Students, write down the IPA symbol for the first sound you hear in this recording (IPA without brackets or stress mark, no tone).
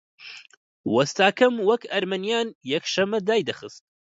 w